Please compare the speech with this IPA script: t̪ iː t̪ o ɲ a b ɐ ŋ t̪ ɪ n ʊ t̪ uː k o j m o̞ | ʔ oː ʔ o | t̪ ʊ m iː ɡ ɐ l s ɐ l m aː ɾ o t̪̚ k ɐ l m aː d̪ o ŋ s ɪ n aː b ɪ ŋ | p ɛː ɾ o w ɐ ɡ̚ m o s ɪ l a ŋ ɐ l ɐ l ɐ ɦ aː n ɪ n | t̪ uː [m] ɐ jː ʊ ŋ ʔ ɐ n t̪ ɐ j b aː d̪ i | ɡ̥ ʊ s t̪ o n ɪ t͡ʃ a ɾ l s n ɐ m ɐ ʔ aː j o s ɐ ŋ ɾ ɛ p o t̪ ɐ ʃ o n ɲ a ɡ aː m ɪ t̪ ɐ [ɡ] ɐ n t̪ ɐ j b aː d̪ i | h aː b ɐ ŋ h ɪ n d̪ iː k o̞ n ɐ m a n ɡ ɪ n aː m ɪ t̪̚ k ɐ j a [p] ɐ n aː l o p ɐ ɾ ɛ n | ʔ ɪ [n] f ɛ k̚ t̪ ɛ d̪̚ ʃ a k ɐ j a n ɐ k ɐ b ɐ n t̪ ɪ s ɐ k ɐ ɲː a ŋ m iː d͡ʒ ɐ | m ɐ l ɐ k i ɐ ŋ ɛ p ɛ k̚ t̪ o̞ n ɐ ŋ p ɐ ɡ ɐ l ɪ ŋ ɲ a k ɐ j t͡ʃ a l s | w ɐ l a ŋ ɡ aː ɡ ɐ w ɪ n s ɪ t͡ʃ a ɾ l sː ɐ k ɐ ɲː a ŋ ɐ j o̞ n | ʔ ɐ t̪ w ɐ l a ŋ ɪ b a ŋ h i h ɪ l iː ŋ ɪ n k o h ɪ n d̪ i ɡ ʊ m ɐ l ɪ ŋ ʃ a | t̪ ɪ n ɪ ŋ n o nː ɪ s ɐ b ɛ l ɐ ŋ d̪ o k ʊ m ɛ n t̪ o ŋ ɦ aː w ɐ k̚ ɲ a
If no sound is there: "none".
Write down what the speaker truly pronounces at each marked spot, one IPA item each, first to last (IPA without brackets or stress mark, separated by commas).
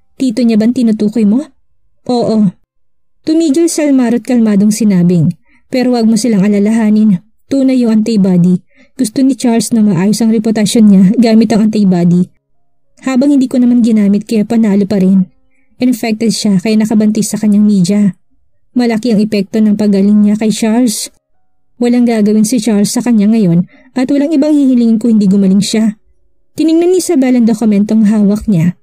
n, ŋ, p, n